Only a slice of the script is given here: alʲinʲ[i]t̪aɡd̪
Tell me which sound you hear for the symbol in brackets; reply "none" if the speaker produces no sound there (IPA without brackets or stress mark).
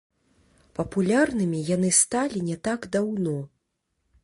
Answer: ɛ